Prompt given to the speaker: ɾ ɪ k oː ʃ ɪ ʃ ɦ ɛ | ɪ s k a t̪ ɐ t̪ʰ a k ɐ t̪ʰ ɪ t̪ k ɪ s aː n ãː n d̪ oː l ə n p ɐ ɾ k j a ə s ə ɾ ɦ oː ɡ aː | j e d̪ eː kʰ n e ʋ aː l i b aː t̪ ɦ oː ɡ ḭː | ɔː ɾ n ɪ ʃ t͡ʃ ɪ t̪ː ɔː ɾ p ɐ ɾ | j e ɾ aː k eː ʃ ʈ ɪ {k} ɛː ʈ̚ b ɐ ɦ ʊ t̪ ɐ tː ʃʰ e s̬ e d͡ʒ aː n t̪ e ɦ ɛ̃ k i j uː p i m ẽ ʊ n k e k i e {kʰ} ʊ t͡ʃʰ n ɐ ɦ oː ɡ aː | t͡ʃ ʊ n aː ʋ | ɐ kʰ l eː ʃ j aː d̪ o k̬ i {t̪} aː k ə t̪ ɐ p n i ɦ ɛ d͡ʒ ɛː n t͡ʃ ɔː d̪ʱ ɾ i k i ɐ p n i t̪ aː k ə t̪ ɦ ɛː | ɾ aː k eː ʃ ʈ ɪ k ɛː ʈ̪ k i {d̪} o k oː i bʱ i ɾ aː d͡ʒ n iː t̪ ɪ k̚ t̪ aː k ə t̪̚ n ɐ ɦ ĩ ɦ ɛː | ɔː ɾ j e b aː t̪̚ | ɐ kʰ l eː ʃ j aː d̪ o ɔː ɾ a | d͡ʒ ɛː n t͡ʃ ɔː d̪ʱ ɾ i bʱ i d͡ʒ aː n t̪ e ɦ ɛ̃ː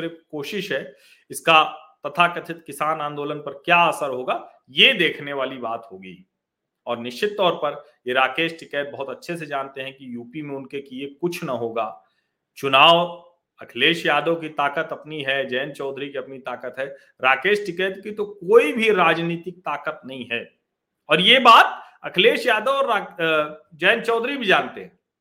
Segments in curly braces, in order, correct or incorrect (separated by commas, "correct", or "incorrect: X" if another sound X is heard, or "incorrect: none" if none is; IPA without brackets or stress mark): correct, incorrect: k, correct, incorrect: t̪